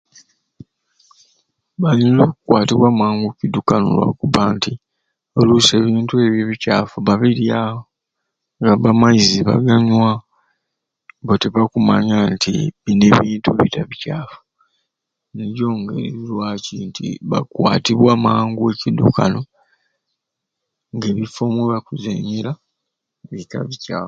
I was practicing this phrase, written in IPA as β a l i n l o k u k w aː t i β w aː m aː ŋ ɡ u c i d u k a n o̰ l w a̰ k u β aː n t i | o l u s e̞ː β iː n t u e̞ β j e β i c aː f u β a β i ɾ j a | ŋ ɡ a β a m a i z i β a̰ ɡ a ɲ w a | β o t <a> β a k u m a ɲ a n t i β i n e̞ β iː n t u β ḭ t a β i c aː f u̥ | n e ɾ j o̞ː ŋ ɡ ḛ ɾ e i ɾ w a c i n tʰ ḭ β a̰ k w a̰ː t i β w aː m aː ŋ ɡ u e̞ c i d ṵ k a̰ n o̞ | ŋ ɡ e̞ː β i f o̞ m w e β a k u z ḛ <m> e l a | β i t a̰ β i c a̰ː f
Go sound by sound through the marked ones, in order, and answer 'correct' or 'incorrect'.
incorrect: e, incorrect: ɲ

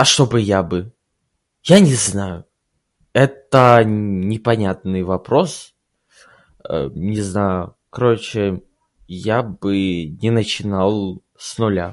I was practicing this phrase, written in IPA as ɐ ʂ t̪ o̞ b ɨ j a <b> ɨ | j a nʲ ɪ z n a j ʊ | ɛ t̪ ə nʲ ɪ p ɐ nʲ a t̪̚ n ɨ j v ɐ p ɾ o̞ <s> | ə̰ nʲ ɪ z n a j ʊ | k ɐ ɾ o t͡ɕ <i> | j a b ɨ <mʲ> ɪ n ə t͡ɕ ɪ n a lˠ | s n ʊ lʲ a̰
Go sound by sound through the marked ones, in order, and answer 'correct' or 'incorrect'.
correct, correct, incorrect: ɪ, incorrect: nʲ

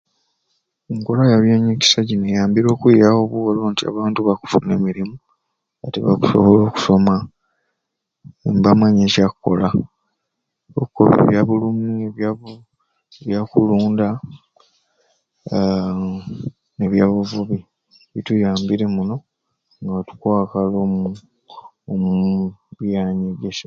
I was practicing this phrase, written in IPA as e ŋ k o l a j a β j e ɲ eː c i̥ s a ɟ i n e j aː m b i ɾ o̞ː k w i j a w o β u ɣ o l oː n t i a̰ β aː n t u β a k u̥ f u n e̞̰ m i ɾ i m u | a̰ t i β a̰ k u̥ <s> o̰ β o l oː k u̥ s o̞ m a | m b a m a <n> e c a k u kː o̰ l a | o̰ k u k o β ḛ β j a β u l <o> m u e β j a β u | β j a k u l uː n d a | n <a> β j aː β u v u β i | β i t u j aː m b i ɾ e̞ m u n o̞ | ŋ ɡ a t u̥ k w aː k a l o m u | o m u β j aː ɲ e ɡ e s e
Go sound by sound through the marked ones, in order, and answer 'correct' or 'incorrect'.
correct, incorrect: ɲ, incorrect: u, incorrect: e

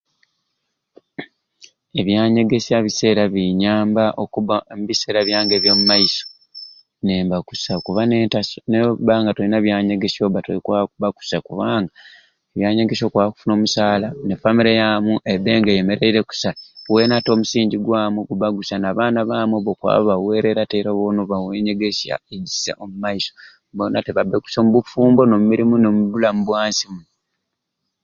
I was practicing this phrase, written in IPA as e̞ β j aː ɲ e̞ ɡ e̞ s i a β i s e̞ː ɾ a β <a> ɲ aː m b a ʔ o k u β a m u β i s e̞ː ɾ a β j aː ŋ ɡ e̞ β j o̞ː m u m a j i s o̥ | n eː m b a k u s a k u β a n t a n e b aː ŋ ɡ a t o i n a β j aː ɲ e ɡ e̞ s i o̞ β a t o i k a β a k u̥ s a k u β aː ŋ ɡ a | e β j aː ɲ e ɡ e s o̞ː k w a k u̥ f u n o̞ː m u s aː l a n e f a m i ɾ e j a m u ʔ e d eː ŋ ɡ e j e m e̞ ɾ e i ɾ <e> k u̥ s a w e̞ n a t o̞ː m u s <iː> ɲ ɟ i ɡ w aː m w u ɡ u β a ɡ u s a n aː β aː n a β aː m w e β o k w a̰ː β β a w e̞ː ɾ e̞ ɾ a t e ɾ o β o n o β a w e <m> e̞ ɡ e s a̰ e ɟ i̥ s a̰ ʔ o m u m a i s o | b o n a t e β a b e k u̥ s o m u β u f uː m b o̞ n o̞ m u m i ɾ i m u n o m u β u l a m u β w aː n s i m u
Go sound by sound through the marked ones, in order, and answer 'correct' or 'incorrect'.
incorrect: i, correct, correct, incorrect: ɲ

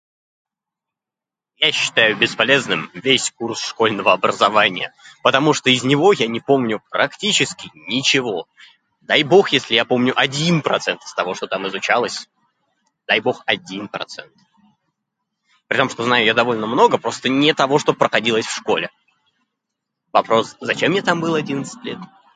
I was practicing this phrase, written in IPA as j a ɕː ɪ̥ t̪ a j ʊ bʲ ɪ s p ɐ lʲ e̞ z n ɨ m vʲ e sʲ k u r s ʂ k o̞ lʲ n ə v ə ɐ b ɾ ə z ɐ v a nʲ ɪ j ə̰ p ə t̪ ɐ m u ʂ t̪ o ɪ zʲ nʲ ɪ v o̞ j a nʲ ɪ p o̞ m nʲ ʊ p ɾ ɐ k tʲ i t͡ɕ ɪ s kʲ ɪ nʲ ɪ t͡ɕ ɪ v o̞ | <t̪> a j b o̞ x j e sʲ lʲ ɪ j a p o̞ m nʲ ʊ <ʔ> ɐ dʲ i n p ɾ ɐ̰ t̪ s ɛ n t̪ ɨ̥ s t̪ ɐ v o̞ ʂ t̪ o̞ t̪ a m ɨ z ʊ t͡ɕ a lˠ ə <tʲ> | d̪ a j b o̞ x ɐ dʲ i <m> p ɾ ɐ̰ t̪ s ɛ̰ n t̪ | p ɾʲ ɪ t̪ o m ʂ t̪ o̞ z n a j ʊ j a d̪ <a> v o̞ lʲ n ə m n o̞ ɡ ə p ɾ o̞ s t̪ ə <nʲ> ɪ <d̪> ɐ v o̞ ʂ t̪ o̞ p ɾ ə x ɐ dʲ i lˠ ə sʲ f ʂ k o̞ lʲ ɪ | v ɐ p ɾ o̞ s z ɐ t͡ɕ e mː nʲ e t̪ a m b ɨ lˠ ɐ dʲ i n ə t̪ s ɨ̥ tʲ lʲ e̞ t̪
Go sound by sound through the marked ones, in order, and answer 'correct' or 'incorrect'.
incorrect: d̪, correct, incorrect: sʲ, incorrect: n, incorrect: ɐ, correct, incorrect: t̪

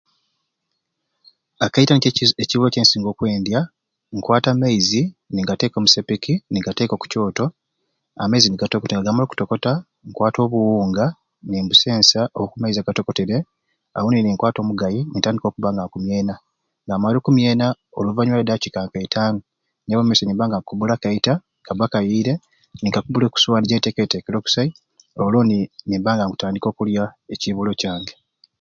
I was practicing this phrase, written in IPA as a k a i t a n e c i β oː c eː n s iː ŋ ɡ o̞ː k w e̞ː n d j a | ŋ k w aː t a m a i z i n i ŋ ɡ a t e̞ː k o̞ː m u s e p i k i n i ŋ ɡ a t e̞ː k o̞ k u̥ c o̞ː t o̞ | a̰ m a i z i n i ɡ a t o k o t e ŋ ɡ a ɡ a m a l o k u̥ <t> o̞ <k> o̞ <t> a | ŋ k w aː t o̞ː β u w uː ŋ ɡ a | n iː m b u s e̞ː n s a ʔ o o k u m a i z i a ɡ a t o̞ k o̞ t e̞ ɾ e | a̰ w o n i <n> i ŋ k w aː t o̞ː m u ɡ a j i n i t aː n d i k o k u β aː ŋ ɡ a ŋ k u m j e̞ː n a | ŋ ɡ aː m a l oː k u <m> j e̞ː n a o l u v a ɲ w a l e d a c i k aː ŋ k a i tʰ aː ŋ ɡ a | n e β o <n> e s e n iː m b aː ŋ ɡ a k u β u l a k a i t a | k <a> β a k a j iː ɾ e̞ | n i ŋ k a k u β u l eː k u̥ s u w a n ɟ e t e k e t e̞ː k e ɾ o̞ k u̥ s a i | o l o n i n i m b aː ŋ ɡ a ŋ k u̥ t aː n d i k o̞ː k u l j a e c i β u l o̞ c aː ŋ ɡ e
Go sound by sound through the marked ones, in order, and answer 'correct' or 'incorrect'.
correct, correct, correct, correct, correct, incorrect: m, correct

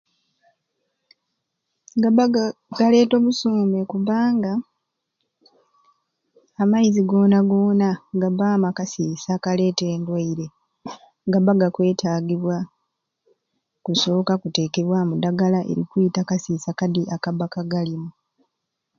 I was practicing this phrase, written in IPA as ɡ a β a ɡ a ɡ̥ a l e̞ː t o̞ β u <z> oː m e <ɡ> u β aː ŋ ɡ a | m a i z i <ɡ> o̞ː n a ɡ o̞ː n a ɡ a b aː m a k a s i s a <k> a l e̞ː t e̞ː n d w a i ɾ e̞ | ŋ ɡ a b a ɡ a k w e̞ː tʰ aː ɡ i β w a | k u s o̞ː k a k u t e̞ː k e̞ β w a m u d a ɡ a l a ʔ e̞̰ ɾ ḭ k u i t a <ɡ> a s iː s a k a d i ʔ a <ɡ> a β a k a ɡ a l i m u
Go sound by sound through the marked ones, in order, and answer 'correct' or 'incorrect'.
incorrect: s, incorrect: k, correct, correct, incorrect: k, incorrect: k

